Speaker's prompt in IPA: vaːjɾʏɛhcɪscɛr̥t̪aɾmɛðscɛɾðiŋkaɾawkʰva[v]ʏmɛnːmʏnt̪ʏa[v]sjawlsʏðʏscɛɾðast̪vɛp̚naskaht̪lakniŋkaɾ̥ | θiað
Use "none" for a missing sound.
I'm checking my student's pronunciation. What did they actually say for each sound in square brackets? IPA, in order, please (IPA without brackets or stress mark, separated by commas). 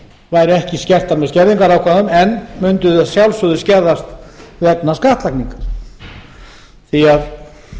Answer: ð, ð